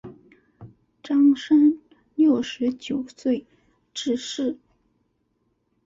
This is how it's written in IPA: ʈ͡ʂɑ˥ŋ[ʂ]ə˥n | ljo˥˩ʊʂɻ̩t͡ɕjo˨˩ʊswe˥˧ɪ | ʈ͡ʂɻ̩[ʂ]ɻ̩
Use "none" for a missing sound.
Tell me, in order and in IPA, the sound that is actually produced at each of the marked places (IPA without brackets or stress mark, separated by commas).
ʂ, ʂ